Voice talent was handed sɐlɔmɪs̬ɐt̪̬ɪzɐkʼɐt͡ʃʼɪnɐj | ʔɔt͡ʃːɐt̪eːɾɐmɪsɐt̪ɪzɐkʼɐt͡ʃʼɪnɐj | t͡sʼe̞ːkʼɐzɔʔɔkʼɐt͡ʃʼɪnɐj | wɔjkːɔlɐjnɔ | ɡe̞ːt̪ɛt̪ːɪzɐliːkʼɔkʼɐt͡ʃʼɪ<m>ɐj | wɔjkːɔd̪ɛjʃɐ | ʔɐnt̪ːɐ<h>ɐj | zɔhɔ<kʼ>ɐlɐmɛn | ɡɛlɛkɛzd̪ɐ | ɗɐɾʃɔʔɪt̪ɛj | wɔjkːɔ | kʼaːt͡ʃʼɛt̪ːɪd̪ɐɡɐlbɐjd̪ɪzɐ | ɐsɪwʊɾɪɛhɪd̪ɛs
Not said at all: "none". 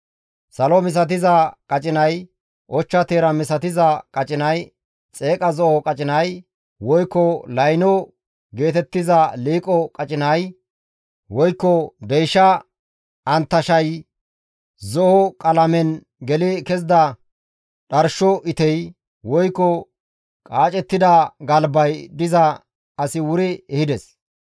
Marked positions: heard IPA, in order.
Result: n, ʃ, kʼ

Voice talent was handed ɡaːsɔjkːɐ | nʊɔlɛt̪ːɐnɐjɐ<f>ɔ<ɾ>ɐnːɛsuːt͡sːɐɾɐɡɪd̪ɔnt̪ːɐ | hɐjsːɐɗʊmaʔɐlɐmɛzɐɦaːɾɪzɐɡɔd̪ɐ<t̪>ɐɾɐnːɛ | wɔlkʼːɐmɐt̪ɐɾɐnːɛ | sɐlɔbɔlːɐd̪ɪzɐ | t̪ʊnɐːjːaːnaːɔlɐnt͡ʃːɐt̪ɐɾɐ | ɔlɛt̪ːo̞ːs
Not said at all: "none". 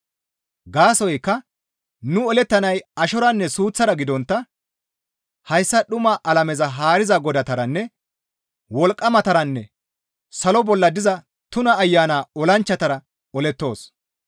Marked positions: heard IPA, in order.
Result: ʃ, ɾ, t̪

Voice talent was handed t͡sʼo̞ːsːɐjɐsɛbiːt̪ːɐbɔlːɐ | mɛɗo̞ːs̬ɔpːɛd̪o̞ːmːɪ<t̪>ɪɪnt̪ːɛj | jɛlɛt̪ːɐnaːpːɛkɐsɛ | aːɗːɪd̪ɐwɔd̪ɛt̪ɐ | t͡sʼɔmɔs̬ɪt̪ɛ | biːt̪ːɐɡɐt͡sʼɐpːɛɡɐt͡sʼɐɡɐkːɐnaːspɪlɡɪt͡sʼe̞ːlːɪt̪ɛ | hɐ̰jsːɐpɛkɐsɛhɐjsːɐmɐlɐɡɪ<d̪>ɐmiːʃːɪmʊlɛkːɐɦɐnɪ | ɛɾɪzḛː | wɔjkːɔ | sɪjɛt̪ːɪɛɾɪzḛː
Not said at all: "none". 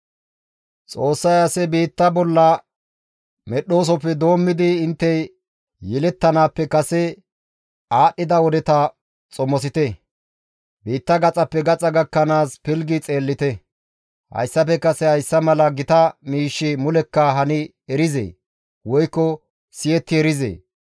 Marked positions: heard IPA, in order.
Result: d̪, t̪

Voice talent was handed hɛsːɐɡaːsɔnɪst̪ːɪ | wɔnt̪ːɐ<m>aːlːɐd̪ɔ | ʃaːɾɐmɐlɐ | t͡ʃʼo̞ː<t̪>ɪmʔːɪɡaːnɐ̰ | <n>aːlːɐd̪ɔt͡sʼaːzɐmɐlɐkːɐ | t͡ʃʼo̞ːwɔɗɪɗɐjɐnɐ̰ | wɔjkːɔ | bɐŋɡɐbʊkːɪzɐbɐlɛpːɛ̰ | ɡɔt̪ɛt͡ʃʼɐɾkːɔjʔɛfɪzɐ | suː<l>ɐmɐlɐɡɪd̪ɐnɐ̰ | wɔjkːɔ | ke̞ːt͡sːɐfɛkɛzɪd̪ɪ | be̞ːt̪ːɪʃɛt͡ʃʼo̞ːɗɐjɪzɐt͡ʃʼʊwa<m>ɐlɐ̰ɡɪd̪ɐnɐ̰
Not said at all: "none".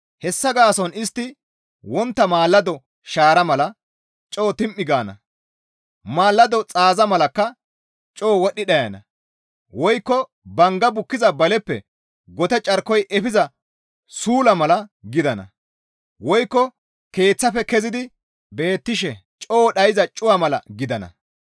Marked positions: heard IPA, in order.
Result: m, t̪, m, l, m

